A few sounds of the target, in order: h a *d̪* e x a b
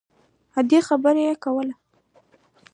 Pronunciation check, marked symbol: correct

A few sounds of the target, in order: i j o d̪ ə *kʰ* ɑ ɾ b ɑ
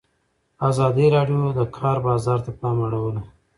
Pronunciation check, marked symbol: correct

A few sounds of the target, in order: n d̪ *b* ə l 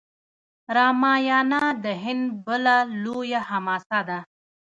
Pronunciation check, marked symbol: correct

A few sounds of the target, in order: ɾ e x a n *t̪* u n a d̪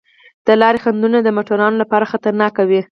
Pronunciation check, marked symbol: incorrect: d̪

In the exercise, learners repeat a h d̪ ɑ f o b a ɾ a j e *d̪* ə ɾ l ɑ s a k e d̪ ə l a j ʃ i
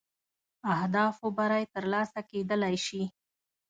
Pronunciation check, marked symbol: incorrect: t̪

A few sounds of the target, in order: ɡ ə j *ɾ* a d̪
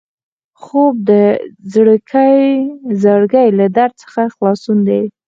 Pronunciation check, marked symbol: incorrect: l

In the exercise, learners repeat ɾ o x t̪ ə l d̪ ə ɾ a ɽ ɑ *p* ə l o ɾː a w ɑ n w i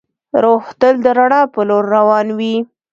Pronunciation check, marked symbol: correct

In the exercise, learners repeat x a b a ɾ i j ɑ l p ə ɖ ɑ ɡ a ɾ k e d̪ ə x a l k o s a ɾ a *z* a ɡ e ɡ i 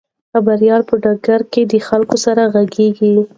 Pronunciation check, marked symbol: incorrect: ɣ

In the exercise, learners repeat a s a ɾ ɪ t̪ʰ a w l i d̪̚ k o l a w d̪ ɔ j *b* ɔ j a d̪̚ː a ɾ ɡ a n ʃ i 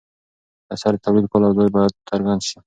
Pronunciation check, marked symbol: correct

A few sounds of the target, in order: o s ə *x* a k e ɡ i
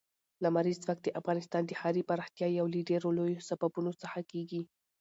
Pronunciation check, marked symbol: correct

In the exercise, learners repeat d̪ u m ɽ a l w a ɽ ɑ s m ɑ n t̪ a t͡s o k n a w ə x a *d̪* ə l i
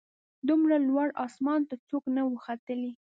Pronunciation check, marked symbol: incorrect: t̪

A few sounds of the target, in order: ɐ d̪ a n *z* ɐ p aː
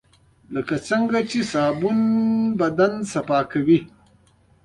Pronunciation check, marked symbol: incorrect: s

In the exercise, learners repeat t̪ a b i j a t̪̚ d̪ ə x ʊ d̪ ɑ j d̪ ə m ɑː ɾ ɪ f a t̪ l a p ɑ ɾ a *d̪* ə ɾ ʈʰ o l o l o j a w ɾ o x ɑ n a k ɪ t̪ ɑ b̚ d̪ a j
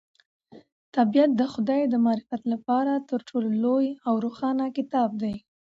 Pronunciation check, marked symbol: incorrect: t̪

